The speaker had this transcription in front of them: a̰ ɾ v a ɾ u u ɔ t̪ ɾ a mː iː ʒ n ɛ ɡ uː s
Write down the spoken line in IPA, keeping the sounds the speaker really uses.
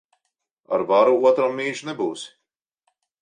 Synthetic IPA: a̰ ɾ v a ɾ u u ɔ t̪ ɾ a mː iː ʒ n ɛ b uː s